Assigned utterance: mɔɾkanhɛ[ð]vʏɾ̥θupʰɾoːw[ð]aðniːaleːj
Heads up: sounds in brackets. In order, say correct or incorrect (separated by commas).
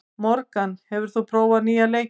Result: incorrect, incorrect